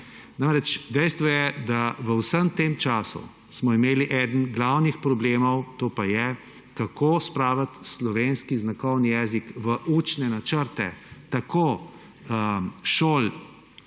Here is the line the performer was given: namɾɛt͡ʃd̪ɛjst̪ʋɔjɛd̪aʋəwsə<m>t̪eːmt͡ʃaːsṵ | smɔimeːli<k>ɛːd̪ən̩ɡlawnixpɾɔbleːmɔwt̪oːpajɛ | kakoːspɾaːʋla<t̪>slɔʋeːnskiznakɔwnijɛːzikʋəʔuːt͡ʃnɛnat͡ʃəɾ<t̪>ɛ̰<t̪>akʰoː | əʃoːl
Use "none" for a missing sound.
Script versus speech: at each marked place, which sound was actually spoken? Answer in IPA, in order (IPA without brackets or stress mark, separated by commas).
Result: m, ʔ, t̪, t̪, t̪